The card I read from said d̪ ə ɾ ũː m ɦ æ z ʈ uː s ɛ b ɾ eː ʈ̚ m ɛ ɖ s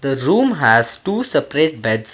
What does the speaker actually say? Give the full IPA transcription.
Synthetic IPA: d̪ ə ɾ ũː m ɦ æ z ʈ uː s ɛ p ɾ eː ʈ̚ b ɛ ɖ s